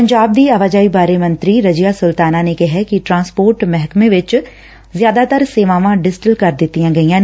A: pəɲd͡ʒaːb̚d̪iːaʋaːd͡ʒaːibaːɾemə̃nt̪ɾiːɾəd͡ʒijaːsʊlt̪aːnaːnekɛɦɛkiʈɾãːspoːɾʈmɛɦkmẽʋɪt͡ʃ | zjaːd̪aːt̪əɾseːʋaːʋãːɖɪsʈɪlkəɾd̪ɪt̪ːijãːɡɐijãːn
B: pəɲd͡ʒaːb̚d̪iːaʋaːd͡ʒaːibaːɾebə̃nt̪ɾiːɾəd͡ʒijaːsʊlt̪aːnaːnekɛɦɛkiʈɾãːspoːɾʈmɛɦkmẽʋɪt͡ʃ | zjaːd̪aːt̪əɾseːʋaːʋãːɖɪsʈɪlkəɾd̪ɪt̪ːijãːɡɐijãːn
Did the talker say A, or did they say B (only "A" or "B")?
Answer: A